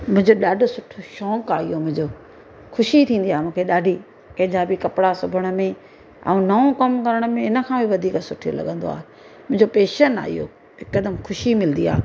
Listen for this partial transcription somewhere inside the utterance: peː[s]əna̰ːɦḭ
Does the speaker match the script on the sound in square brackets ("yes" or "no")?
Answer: no